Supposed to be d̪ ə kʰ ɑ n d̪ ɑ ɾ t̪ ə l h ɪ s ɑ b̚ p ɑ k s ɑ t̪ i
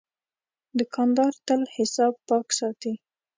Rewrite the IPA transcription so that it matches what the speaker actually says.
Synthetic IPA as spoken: d̪ ə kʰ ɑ n d̪ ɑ ɾ t̪ ə l h ɪ s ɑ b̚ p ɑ k s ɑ t̪ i